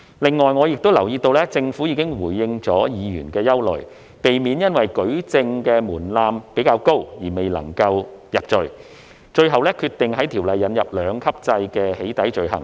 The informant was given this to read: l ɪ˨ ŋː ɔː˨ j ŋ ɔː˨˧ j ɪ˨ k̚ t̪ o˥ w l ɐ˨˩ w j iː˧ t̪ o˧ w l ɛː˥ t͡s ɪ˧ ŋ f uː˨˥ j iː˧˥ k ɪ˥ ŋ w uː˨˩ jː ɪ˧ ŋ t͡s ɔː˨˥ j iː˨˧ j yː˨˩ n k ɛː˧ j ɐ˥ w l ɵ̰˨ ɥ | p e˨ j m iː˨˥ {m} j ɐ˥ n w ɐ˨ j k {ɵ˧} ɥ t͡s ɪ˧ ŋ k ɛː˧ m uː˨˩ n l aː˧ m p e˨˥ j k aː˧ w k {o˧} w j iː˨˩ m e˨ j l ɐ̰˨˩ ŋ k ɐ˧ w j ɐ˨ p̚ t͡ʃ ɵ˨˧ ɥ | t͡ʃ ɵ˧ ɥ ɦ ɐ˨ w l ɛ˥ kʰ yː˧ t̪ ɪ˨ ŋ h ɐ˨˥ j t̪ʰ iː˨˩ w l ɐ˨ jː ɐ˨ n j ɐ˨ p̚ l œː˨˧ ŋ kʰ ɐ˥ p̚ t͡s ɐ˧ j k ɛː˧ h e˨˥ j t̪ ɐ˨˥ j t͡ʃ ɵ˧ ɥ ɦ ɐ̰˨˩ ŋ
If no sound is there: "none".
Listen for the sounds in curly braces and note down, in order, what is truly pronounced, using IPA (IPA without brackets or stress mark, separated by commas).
n, ɵ˨˥, o˥